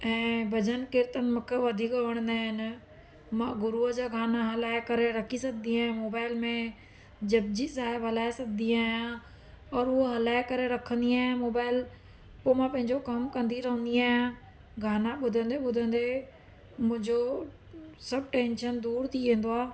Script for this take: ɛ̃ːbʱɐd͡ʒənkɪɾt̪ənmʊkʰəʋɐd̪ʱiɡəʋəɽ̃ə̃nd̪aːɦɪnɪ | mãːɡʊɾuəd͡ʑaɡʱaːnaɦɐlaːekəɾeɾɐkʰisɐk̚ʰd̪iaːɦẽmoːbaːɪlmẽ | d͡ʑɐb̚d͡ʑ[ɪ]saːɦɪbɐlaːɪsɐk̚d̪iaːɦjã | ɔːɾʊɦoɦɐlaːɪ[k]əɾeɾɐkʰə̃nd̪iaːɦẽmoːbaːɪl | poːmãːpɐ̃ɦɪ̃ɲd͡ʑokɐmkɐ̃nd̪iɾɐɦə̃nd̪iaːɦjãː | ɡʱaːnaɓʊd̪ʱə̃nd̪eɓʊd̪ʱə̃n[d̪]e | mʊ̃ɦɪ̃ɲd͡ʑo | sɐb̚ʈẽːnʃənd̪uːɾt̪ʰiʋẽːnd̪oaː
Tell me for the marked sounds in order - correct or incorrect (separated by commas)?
incorrect, correct, correct